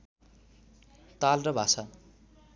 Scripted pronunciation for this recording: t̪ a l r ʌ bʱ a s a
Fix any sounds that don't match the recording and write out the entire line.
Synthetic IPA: t̪ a l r ʌ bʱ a s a